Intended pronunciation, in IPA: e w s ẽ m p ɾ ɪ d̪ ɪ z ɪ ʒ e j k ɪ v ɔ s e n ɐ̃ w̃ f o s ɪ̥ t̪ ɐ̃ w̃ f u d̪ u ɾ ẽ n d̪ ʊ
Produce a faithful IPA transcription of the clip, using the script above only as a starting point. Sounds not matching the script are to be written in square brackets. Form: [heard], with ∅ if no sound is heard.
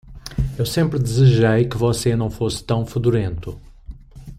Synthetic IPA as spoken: e w s ẽ m p ɾ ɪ d̪ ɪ z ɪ ʒ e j k ɪ v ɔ s e n ɐ̃ w̃ f o s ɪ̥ t̪ ɐ̃ w̃ f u d̪ u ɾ ẽ n [t̪] ʊ